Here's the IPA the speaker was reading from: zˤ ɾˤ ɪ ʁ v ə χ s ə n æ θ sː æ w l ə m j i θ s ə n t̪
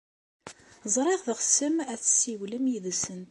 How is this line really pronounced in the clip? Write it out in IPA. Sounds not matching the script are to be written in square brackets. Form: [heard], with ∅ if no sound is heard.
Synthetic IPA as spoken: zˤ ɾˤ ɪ ʁ [ð] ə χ s ə [m] æ θ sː [i] w l ə m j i [ð] s ə n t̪

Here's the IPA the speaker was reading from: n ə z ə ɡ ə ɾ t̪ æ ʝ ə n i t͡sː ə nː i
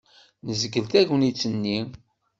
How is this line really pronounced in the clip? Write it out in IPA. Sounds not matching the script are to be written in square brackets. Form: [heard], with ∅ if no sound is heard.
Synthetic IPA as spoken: n ə z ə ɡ ə [l] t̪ æ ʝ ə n i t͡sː ə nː i

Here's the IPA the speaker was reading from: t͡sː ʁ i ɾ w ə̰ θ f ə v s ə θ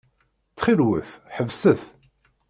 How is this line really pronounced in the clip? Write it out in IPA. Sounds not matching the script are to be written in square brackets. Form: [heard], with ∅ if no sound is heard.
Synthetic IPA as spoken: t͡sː [χ] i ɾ w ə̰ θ [ħ] ə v s ə θ

